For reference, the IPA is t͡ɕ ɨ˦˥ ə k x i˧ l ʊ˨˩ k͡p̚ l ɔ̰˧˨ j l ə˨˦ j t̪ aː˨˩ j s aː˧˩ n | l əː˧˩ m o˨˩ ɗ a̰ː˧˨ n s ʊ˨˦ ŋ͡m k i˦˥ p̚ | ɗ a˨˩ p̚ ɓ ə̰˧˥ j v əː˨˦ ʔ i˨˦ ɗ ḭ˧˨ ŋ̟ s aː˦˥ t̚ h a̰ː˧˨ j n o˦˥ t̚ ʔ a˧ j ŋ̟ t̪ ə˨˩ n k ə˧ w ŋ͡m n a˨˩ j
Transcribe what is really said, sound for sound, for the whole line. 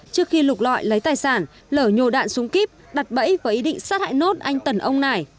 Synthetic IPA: t͡ɕ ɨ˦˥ ə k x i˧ l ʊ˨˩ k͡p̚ l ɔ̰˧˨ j l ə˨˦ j t̪ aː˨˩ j s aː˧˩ n | l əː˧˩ ɲ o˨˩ ɗ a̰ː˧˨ n s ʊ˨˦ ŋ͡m k i˦˥ p̚ | ɗ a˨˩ t̚ ɓ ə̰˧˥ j v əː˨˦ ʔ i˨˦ ɗ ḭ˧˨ ŋ̟ s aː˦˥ t̚ h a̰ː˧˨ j n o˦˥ t̚ ʔ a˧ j ŋ̟ t̪ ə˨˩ n ʔ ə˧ w ŋ͡m n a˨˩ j